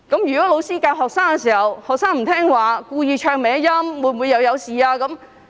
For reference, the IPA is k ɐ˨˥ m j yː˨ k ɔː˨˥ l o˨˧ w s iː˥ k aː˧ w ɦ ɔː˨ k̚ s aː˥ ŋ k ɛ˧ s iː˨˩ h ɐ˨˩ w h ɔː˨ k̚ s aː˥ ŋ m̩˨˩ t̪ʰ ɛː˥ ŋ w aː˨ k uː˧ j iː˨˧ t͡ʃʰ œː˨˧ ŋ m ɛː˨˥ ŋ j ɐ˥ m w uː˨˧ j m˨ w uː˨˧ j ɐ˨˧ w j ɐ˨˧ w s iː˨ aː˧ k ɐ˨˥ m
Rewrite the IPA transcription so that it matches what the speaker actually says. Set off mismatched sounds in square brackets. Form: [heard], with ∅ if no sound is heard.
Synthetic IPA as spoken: k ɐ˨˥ m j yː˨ k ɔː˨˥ l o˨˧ w s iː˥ k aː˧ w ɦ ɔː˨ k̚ s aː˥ ŋ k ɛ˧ s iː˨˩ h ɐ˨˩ w h ɔː˨ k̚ s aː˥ ŋ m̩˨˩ t̪ʰ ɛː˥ ŋ w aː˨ k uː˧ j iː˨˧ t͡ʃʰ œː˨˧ ŋ m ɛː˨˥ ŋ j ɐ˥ m w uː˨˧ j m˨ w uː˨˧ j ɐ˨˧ w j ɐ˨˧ w s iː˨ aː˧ k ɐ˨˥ m